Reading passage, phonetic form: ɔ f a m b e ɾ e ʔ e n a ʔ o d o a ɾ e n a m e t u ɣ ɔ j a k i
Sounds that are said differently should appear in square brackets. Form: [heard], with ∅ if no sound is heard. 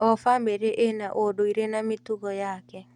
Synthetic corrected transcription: ɔ f a m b e ɾ e ʔ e n a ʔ o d o [i] ɾ e n a m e t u ɣ ɔ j a k [ɛ]